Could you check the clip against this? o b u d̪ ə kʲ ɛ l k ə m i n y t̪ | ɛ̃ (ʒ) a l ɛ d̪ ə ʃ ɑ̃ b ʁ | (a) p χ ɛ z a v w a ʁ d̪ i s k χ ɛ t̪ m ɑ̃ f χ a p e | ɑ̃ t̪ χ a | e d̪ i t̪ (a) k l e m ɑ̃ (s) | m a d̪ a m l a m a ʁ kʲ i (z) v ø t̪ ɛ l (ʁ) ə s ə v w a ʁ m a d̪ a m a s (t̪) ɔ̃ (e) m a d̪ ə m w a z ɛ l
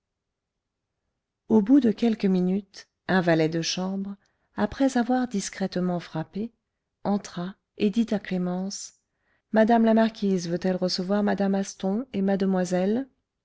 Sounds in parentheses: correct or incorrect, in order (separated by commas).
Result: incorrect, correct, correct, correct, correct, correct, correct, correct